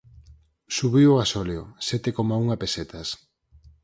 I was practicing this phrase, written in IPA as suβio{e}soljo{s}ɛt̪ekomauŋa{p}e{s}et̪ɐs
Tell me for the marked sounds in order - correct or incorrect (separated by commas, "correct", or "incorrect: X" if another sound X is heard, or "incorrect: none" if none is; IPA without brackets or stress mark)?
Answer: incorrect: a, correct, correct, correct